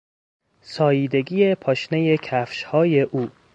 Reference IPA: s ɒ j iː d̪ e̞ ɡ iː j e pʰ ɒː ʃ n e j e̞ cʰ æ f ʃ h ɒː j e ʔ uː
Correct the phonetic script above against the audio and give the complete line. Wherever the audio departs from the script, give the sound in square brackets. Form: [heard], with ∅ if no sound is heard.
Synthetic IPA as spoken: s [ɒː] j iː d̪ e̞ ɡ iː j e pʰ ɒː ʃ n e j e̞ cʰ æ f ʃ h ɒː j e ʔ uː